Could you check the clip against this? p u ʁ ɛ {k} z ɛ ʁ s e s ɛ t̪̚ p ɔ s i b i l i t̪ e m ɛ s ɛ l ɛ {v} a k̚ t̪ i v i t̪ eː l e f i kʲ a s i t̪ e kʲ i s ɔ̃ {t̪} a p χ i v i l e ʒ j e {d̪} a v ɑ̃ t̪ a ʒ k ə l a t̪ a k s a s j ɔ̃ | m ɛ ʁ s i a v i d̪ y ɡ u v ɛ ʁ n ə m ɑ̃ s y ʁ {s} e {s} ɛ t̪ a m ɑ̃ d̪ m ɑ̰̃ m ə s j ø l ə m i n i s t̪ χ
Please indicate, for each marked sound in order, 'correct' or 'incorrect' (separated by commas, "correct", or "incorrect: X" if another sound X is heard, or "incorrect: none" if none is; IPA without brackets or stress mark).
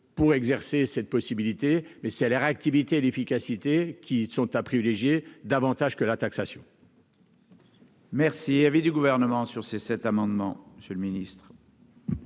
incorrect: ɡ, incorrect: ʁ, correct, correct, correct, correct